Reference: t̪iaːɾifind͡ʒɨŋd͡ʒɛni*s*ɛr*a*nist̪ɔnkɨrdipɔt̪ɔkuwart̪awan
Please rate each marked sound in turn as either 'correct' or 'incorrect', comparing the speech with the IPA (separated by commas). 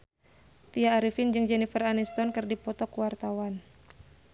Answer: incorrect, correct